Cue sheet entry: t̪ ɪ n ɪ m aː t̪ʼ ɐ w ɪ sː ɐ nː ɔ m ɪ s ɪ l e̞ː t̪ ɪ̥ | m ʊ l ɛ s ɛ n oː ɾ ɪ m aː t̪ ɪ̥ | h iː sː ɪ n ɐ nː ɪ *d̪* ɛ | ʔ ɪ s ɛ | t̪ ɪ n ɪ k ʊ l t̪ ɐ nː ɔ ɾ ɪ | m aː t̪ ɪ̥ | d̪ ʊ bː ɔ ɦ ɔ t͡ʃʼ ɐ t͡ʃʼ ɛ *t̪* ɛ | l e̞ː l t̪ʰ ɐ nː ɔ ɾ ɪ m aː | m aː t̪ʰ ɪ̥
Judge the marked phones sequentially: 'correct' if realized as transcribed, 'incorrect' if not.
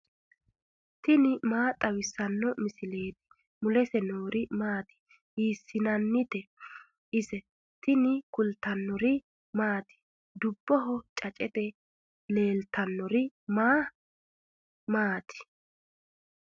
incorrect, correct

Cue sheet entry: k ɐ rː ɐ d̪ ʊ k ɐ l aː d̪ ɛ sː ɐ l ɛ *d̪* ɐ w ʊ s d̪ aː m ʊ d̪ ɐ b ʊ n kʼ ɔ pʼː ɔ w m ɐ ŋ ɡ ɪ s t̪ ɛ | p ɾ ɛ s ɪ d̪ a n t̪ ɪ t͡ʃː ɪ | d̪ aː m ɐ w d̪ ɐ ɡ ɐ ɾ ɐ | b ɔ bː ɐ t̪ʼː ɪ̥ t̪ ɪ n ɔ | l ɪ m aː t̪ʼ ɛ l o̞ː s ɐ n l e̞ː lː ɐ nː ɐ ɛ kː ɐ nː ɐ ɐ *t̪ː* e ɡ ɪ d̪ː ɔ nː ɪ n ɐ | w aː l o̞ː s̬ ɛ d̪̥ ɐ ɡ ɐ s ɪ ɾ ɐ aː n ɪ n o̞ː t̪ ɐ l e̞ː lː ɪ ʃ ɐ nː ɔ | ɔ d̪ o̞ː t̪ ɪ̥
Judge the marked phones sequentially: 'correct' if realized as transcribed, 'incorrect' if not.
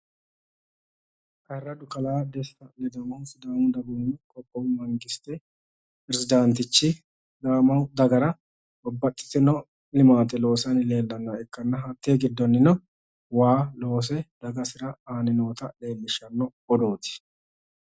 correct, correct

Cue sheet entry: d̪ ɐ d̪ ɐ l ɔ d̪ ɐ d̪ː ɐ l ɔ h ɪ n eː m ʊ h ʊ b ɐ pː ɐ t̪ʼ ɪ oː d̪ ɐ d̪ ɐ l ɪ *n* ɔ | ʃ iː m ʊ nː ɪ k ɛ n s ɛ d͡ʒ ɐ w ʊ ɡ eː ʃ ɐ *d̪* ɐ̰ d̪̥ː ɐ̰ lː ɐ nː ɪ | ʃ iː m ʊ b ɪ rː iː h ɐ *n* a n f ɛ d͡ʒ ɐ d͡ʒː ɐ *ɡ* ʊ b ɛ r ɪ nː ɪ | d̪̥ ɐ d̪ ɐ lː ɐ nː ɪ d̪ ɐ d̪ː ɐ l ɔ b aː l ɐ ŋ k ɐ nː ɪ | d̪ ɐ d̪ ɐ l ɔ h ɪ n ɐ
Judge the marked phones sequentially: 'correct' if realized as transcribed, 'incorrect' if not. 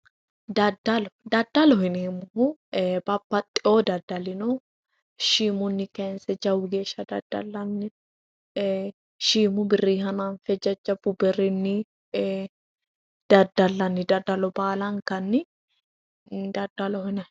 correct, correct, correct, incorrect

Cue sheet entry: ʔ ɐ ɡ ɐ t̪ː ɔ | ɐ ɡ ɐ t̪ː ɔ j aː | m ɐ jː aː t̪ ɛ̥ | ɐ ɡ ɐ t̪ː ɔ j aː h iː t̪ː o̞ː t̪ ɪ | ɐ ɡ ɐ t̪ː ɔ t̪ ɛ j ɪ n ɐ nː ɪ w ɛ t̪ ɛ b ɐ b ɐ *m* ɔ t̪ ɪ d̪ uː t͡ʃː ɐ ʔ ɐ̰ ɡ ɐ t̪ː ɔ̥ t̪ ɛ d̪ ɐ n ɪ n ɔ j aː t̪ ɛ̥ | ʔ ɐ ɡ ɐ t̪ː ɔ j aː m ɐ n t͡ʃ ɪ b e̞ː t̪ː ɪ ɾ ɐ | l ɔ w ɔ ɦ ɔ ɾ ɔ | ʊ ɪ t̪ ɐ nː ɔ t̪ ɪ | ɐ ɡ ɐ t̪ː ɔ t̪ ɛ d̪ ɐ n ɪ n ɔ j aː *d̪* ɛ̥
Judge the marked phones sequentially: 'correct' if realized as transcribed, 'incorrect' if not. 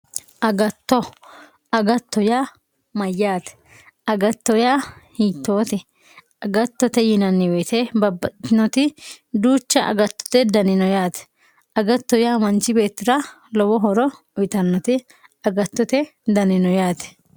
incorrect, incorrect

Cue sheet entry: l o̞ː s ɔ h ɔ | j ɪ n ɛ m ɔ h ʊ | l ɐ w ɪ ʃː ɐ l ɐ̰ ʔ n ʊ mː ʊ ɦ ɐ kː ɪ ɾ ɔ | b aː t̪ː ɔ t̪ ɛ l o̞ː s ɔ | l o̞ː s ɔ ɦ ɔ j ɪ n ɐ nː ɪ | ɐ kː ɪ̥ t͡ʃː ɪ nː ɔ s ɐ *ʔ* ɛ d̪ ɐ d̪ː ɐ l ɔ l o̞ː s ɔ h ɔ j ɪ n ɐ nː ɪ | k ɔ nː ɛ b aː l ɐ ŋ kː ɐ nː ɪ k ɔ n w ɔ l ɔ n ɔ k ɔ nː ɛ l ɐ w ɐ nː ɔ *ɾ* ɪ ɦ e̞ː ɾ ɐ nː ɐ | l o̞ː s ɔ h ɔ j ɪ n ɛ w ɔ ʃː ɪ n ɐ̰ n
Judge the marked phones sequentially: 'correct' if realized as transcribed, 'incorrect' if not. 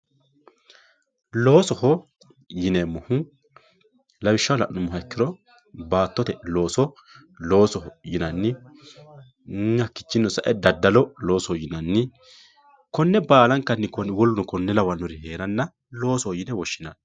correct, correct

